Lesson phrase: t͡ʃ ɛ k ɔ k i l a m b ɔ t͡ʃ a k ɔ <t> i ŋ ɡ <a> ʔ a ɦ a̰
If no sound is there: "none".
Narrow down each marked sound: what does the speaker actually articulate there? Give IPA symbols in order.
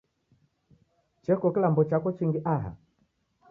t͡ʃ, i

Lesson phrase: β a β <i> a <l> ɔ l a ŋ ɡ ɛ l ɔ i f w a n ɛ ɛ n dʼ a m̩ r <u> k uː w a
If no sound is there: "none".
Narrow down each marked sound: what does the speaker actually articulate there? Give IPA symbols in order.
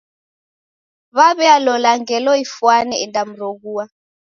ɛ, l, o

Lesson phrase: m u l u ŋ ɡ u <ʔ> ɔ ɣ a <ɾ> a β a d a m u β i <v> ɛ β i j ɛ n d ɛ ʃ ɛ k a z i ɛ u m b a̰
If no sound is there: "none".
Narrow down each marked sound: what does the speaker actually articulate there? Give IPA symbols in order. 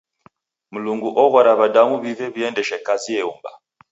ʔ, ɾ, v

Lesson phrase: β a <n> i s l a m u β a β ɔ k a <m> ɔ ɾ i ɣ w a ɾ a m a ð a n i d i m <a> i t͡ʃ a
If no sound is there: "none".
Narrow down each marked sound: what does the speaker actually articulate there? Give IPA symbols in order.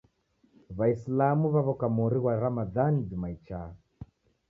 none, m, a

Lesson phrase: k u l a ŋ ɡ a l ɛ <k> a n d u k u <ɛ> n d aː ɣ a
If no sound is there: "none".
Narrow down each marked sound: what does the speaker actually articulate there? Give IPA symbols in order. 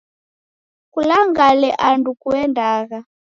ʔ, ɛ

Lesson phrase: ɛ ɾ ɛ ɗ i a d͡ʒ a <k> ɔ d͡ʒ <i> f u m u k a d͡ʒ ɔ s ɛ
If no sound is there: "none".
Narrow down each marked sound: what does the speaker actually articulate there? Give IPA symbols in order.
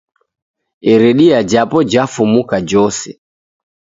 p, a

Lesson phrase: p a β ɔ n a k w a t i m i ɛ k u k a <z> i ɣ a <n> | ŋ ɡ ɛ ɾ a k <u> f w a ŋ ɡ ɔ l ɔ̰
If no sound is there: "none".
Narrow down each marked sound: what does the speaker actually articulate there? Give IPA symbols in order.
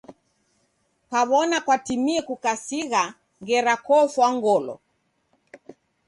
s, none, ɔ

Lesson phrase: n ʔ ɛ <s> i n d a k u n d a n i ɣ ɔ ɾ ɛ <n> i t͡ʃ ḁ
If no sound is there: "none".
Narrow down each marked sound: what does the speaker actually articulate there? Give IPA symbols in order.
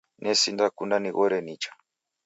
s, n

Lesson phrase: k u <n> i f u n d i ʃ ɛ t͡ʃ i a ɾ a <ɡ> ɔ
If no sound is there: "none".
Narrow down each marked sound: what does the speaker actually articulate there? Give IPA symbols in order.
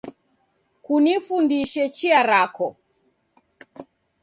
n, k

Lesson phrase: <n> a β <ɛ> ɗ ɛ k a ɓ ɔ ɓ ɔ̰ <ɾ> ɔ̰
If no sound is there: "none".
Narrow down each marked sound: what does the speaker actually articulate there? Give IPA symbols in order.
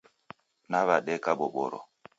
n, a, ɾ

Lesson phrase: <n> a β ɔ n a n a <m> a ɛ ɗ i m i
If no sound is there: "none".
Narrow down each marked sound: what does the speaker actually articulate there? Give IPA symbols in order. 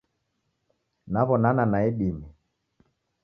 n, n

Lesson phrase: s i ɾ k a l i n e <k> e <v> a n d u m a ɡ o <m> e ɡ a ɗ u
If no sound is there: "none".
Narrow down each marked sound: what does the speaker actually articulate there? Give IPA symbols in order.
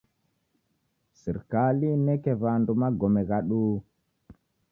k, v, m

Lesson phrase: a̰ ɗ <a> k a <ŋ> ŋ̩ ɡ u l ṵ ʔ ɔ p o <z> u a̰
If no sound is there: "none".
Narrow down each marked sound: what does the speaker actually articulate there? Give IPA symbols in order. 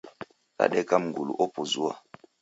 ɛ, m, z

